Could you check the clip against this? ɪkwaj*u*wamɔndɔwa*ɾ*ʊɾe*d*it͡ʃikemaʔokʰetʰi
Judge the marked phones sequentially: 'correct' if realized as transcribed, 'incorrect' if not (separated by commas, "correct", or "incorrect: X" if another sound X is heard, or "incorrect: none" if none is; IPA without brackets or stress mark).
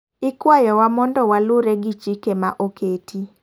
incorrect: ɔ, incorrect: l, incorrect: ɡ